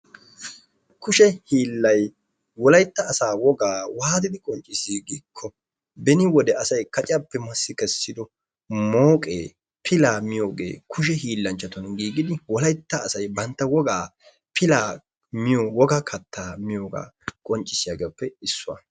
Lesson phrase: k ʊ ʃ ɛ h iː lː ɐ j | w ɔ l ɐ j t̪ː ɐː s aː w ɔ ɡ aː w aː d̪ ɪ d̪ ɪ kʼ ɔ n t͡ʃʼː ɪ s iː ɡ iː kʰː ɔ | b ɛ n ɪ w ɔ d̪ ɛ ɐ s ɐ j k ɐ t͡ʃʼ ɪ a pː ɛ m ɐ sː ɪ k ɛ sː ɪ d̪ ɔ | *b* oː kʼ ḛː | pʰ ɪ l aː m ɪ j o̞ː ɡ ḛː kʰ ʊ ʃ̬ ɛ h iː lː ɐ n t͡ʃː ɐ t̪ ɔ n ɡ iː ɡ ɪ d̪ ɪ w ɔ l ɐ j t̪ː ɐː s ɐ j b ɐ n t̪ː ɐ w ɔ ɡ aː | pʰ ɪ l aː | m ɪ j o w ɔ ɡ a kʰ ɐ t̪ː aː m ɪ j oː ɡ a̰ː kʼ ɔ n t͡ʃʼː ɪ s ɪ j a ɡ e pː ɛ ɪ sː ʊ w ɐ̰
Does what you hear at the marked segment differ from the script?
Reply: yes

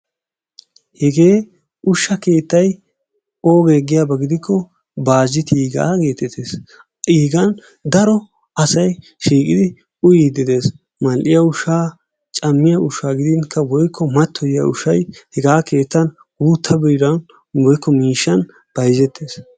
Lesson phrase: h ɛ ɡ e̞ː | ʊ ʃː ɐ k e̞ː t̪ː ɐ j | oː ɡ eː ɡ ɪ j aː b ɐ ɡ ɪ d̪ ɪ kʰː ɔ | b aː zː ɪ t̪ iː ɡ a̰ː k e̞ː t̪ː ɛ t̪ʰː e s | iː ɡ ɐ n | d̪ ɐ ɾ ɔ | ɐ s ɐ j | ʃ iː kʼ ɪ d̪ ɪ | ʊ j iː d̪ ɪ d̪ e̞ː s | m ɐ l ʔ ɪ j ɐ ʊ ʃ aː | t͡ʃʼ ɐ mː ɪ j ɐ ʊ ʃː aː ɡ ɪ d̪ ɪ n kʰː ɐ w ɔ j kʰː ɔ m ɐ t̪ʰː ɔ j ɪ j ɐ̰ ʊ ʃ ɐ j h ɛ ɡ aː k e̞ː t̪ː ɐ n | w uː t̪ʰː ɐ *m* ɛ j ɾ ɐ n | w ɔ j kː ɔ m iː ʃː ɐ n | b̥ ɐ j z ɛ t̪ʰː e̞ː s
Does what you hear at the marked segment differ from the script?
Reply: yes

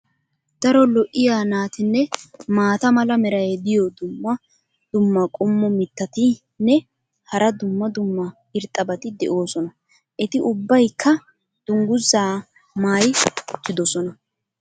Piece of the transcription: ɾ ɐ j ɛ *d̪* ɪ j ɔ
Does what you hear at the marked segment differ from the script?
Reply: no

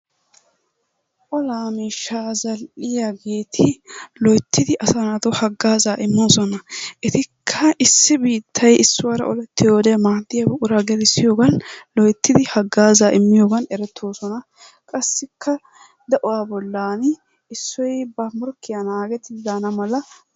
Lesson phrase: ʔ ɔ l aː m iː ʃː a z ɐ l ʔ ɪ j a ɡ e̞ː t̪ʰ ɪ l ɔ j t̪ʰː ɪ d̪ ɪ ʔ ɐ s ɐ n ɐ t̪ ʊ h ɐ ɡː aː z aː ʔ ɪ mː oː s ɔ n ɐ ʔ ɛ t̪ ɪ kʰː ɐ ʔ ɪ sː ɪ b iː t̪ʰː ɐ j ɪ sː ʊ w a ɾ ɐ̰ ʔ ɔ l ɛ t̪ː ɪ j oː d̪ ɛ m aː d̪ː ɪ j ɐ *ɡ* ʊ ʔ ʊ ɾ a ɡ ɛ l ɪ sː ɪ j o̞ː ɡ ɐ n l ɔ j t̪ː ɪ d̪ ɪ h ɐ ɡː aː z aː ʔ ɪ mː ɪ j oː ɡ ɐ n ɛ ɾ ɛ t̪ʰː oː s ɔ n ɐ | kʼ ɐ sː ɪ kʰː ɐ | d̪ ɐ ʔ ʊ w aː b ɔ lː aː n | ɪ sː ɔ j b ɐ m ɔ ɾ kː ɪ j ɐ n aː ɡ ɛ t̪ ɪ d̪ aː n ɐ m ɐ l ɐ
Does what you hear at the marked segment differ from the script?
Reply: yes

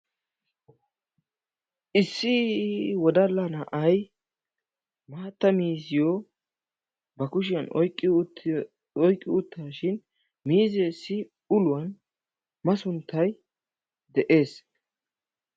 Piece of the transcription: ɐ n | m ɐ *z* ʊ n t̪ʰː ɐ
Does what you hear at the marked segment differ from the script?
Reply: yes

